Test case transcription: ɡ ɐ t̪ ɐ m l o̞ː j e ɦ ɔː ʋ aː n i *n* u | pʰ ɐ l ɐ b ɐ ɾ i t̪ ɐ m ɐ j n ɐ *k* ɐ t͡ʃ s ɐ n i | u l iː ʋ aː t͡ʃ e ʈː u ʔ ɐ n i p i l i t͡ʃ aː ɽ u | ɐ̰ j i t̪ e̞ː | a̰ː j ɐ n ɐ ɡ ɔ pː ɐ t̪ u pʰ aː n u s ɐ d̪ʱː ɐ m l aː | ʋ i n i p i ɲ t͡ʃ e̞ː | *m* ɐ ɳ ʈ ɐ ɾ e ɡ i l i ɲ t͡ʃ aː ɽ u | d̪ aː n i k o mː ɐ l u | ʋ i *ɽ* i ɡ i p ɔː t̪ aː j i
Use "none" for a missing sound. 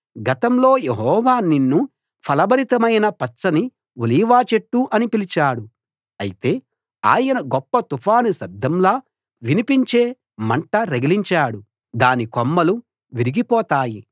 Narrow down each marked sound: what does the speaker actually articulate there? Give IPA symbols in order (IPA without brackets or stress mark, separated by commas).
nː, p, m, ɾ